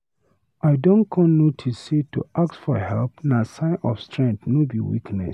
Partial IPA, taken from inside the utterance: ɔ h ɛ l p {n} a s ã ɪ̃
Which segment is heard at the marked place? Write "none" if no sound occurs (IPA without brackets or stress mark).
n